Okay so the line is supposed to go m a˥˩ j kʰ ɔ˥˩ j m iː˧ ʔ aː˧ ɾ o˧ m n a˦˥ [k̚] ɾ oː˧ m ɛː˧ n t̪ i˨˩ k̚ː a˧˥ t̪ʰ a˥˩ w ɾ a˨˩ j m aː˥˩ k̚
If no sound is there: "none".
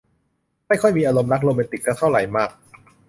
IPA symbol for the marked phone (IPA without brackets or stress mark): k̚